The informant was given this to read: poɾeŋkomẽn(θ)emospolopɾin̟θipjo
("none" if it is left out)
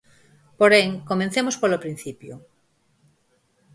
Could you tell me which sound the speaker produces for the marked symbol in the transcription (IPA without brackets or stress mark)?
θ